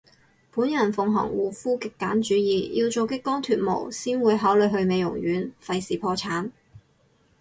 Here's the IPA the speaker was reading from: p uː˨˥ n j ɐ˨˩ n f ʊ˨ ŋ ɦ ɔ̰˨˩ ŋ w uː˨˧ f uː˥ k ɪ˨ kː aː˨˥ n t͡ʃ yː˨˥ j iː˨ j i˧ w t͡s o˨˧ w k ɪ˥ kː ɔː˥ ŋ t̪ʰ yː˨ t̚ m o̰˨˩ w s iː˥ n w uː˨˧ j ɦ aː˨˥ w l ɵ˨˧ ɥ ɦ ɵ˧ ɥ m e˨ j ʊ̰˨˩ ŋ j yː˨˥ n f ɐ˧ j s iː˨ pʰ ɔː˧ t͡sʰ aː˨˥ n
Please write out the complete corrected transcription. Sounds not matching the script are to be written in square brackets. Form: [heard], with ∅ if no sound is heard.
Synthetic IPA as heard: p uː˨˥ n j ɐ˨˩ n f ʊ˨ ŋ ɦ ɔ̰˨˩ ŋ w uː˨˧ f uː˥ k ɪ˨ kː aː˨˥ n t͡ʃ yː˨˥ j iː˨ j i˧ w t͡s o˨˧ w k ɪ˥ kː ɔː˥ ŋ t̪ʰ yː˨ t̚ m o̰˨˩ w s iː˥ n w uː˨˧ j ɦ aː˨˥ w l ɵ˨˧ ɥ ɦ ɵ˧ ɥ m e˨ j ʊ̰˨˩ ŋ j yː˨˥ n f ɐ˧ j s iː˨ pʰ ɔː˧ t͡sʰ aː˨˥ n